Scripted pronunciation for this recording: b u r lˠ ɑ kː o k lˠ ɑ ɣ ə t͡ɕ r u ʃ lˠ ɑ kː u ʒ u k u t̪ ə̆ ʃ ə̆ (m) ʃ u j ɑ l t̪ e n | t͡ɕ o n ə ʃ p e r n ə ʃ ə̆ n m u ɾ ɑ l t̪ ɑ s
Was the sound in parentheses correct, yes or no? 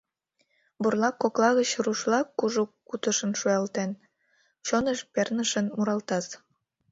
no